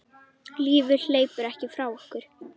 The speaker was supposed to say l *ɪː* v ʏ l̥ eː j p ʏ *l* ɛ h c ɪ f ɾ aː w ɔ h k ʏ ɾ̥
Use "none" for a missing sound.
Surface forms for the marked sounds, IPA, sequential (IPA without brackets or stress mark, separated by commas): iː, ɾ